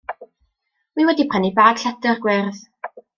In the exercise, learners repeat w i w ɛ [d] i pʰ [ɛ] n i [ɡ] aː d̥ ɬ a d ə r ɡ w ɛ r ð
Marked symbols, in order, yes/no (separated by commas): yes, no, no